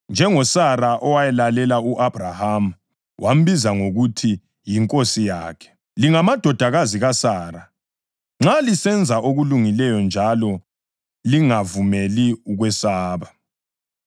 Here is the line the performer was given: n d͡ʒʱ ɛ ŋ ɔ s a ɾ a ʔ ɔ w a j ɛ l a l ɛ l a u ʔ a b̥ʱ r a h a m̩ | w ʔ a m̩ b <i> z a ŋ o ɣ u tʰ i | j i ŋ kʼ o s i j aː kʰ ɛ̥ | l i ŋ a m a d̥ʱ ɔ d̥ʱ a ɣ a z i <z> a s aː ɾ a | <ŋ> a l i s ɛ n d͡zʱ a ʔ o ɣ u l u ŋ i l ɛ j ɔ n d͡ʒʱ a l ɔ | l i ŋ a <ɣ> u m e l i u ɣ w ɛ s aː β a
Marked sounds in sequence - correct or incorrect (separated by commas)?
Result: correct, incorrect, incorrect, incorrect